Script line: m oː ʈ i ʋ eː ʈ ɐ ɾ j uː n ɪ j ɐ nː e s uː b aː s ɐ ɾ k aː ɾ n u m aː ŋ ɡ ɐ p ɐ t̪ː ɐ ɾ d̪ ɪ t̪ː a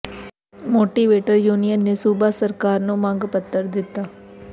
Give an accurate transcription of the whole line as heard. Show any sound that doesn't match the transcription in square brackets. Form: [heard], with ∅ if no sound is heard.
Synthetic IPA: m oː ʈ i ʋ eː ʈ ɐ ɾ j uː n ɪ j ɐ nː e s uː b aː s ɐ ɾ k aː ɾ n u m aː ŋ ɡ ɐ p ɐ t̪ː ɐ ɾ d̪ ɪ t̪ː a